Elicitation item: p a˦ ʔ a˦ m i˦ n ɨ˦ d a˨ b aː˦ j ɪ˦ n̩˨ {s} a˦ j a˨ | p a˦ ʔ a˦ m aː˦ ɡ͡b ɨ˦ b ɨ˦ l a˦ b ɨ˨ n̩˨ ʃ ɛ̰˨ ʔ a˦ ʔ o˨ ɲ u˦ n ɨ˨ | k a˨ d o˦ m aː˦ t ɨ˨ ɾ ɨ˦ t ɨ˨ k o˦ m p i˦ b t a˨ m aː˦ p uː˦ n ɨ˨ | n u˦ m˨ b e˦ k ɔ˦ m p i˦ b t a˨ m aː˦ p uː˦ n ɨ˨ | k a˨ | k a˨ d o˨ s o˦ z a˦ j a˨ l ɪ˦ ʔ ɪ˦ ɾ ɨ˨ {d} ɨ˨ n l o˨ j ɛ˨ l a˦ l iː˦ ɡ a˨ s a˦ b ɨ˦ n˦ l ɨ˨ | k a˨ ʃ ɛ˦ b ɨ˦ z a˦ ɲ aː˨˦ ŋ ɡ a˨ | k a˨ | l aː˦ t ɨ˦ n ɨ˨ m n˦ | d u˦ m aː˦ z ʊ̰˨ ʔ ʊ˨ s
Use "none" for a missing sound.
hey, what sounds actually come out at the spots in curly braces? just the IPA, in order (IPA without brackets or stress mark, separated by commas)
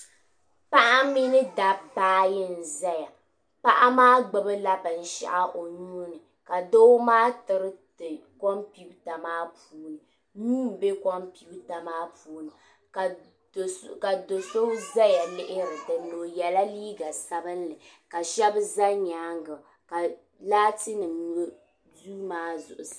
z, d